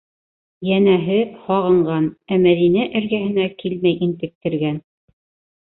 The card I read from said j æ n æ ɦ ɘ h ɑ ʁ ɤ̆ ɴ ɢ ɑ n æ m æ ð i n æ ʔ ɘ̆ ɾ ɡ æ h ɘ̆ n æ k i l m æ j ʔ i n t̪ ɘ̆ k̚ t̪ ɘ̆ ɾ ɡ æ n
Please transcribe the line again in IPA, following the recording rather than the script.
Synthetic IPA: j æ n æ ɦ ɘ h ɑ ʁ ɤ̆ ɴ ɢ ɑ n æ m æ ð i n æ ʔ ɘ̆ ɾ ɡ æ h ɘ̆ n æ k i l m æ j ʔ i n t̪ ɘ̆ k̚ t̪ ɘ̆ ɾ ɡ æ n